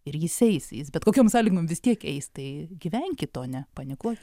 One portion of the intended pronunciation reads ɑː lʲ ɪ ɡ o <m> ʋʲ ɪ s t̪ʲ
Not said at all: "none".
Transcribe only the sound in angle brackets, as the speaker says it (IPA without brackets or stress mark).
m